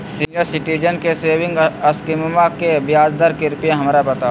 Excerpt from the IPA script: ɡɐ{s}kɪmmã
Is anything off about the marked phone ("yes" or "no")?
no